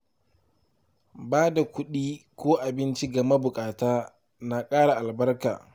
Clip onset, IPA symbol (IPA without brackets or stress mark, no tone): b